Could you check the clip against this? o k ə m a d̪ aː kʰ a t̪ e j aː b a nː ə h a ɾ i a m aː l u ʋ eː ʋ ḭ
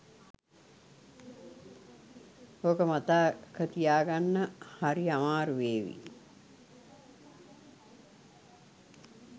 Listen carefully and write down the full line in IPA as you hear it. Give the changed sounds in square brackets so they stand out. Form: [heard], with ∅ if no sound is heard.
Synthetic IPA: o k ə m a [t̪] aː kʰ [ə] t̪ [i] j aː [ɡ] a nː ə h a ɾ i a m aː [ɾ] u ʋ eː ʋ ḭ